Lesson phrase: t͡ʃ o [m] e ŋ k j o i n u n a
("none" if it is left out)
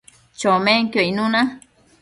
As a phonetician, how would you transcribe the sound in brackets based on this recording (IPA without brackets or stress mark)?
m